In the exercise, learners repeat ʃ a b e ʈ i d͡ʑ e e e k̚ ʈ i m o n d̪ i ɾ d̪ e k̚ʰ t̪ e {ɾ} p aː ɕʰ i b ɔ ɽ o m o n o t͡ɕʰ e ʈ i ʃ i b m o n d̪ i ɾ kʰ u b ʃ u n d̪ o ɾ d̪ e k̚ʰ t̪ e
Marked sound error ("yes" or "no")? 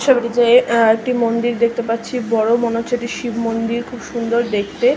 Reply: yes